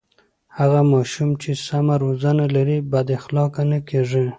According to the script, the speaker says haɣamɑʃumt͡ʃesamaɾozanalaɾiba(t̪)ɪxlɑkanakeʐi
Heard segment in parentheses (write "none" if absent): d̪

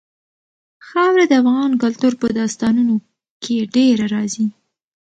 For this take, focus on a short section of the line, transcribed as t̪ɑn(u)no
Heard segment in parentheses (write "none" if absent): u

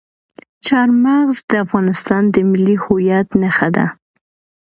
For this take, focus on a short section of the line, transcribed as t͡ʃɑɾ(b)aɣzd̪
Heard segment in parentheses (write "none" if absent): m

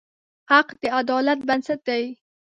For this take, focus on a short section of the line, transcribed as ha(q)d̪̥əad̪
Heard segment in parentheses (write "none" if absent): q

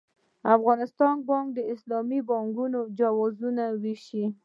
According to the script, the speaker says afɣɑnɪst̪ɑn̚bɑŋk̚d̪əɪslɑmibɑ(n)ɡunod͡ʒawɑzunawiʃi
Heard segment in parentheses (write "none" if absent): ŋ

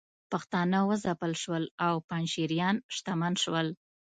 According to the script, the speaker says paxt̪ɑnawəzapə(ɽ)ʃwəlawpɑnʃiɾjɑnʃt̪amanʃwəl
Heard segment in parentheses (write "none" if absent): l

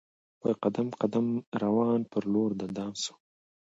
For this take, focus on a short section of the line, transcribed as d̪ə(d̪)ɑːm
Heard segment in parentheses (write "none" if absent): d̪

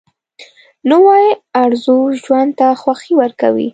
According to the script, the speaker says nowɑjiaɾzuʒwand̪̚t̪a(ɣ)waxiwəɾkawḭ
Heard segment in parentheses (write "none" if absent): x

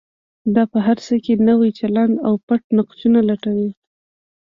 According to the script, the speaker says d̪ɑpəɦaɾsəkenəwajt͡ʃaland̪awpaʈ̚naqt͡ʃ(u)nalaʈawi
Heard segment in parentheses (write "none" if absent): u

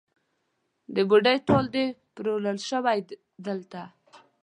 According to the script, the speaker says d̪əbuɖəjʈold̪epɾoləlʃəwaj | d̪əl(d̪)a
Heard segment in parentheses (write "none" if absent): t̪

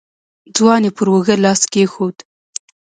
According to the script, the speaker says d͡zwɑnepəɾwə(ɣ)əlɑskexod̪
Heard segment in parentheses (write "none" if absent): ɣ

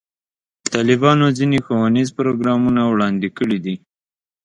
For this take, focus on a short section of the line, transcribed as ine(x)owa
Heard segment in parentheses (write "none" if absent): x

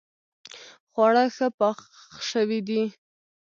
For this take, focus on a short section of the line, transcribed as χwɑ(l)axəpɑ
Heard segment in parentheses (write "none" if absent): ɽ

